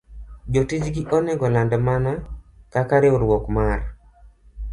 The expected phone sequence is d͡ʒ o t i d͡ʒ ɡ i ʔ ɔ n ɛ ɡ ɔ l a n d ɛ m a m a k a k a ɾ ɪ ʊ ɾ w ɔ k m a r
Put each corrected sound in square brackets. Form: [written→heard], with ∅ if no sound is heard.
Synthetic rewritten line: d͡ʒ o t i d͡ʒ ɡ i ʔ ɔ n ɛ ɡ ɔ l a n d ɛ m a [m→n] a k a k a ɾ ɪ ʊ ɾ w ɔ k m a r